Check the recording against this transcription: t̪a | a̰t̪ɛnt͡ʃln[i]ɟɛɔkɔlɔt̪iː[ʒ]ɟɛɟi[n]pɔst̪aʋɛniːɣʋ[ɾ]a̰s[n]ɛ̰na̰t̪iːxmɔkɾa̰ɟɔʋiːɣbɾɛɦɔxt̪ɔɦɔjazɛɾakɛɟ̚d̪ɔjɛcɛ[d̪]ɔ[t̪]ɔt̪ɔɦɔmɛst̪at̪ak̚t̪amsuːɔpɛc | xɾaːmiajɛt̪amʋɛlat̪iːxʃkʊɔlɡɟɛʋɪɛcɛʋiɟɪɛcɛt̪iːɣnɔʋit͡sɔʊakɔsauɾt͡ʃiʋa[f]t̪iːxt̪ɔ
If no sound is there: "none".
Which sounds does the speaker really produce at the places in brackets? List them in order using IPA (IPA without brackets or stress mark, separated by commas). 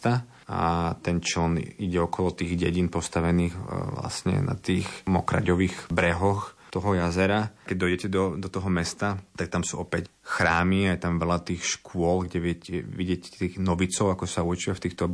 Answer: i, ɣ, n, l, ɲ, d̪, d̪, f